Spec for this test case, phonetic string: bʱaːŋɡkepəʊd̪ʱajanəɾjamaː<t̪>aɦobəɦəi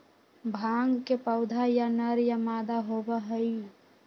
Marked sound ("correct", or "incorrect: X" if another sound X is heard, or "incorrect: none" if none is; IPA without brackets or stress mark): incorrect: d̪